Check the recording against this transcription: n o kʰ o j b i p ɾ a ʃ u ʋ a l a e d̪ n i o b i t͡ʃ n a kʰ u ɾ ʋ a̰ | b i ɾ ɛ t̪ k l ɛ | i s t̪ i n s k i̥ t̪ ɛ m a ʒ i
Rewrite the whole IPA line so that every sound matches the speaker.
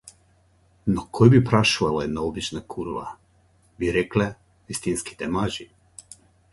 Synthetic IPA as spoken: n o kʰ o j b i p ɾ a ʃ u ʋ a l a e d̪ n a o b i t͡ʃ n a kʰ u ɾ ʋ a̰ | b i ɾ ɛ k l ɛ | i s t̪ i n s k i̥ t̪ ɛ m a ʒ i